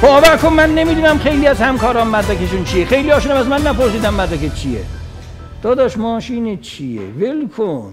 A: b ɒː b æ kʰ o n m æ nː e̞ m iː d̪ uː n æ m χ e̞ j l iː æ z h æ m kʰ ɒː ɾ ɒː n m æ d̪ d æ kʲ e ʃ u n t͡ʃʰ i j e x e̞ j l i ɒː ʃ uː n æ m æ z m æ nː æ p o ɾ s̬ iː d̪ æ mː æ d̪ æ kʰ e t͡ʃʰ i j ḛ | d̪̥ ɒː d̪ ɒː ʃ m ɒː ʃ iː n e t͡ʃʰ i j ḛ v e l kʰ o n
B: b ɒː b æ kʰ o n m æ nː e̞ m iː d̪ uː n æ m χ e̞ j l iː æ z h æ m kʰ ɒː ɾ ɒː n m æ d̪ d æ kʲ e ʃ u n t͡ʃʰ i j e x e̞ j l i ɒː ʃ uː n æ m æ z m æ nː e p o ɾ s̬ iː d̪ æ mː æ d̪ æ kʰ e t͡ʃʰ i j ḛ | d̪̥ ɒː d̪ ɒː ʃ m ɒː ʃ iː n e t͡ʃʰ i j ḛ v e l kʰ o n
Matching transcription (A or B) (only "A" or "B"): A